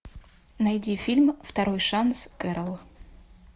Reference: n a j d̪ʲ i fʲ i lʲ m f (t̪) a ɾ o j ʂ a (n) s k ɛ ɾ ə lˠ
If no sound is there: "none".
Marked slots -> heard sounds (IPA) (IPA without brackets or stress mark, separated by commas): t̪, n